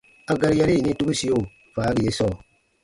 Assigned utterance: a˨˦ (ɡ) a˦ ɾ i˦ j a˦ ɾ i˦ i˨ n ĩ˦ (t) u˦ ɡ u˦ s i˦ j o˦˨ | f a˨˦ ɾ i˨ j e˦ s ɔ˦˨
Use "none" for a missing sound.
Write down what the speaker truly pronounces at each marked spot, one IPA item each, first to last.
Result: ɡ, t

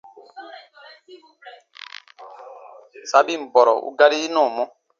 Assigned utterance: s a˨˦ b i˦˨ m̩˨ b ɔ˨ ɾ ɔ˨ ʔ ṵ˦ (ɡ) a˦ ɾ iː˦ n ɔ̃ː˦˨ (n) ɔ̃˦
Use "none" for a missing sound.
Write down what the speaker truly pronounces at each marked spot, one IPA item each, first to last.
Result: ɡ, m

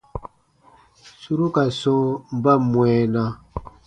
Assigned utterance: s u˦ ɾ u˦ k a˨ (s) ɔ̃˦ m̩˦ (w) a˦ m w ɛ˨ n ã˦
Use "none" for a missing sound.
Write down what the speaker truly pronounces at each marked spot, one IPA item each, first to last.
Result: s, b

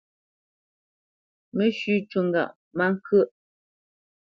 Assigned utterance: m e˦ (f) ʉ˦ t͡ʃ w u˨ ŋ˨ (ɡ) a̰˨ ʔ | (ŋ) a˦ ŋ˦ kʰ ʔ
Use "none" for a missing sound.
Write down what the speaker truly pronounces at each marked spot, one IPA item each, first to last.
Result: ʃ, ɡ, m

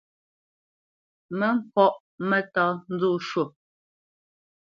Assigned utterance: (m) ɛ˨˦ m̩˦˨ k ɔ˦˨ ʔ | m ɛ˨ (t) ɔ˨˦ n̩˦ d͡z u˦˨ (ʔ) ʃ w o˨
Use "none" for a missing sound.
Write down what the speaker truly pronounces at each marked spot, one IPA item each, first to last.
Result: m, t, none

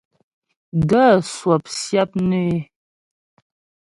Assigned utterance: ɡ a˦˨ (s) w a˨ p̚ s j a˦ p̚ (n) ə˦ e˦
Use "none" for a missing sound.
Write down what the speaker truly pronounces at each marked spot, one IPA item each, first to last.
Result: s, n

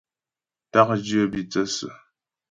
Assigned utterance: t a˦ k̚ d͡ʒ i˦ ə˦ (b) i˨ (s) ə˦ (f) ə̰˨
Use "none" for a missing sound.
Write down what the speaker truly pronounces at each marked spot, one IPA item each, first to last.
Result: b, t͡s, s

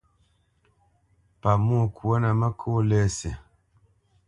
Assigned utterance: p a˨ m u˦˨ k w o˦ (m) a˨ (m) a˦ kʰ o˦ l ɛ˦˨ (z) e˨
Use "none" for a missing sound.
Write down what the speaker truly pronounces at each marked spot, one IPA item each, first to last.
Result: n, m, s

